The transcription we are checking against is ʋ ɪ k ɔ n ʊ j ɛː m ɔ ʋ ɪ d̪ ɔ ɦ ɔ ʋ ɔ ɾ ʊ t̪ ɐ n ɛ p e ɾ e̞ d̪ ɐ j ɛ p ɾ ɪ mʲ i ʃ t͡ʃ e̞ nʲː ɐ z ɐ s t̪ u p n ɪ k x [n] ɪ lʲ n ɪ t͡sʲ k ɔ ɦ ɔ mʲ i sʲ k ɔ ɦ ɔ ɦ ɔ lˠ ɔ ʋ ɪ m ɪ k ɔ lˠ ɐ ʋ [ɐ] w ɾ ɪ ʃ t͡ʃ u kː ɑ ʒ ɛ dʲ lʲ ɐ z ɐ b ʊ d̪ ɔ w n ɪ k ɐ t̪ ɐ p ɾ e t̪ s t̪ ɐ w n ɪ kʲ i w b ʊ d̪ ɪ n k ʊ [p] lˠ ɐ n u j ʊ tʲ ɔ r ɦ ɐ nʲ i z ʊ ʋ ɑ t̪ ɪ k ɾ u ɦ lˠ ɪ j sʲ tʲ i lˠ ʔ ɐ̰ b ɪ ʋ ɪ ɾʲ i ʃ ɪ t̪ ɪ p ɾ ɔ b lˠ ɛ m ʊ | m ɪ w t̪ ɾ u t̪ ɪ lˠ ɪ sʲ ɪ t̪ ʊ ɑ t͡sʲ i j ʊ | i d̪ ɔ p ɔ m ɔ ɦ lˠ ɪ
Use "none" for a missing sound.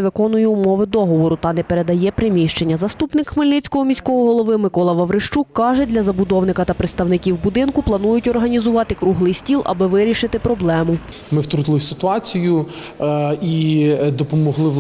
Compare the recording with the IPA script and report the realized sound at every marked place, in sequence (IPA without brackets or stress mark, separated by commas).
m, ɐ, p